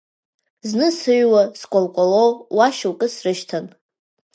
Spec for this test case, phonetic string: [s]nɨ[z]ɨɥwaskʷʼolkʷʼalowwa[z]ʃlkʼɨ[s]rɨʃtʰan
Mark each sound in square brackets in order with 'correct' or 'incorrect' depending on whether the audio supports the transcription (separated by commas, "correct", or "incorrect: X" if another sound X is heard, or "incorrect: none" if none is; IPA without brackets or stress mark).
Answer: incorrect: z, incorrect: s, incorrect: none, correct